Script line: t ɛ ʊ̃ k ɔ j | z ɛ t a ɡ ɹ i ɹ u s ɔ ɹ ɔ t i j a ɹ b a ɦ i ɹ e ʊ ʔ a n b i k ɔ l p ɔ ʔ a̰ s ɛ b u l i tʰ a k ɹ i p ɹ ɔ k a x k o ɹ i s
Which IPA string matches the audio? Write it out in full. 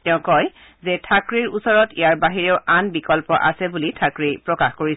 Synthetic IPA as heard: t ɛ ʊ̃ k ɔ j | z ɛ tʰ a k ɹ i ɹ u s ɔ ɹ ɔ t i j a ɹ b a ɦ i ɹ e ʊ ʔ a n b i k ɔ l p ɔ ʔ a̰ s ɛ b u l i tʰ a k ɹ i p ɹ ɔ k a x k o ɹ i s